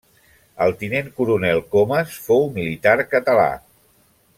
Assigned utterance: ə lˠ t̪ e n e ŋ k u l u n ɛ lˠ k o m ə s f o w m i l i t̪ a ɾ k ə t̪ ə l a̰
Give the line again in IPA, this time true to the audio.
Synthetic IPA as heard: ə lˠ t̪ i n e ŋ k u ɾ u n ɛ lˠ k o m ə s f o w m i l i t̪ a ɾ k ə t̪ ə l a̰

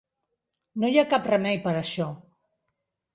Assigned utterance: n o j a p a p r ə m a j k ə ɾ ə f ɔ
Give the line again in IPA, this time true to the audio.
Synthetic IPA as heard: n o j a k a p r ə m ɛ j p ə ɾ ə ʃ ɔ

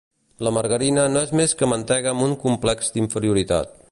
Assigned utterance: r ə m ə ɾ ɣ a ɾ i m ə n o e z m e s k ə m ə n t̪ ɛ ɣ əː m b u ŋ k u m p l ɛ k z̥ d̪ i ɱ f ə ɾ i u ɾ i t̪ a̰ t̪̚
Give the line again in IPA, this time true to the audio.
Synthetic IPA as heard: l ə m ə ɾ ɣ ə ɾ i n ə n o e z m e s k ə m ə n t̪ ɛ ɣ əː m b u ŋ k u m p l ɛ k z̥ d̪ i ɱ f ə ɾ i u ɾ i t̪ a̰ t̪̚

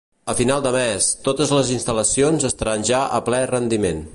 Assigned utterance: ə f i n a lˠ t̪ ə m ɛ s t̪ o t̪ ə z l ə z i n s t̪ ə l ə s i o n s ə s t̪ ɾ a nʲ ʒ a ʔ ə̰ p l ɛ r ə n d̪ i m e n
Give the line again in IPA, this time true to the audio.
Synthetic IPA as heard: ə f i n a lˠ d̪ ə m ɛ s t̪ o t̪ ə z l ə z i n s t̪ ə l ə s i o n z ə s t̪ ɾ a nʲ ʒ a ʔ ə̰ p l ɛ r ə n d̪ i m e n

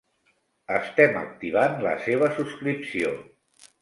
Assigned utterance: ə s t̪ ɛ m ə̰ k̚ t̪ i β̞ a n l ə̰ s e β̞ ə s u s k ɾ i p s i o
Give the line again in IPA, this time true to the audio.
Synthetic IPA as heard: ə s t̪ ɛ m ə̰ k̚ t̪ i β̞ a n l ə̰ s e β̞ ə s u s k ɾ i p s i o

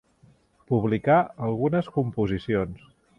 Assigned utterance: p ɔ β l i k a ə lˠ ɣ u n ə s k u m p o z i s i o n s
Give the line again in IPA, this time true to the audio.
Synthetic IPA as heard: p u β l i k a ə lˠ ɣ u n ə s k u m p u z i s i o n s

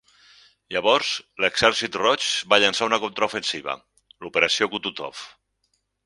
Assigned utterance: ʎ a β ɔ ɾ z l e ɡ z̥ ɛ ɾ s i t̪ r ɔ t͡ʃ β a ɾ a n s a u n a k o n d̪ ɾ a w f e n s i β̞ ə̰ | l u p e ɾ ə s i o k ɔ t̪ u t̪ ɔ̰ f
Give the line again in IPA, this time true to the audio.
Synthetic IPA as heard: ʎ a β ɔ ɾ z l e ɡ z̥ ɛ ɾ s i t̪ r ɔ t͡ʃ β a ʎ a n s a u n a k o n t̪ ɾ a u f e n s i β̞ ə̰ | l u p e ɾ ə s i o k u t̪ u t̪ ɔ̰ f

